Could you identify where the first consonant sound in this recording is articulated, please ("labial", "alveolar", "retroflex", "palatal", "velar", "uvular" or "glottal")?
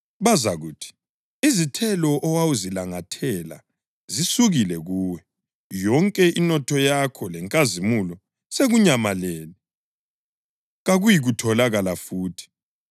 labial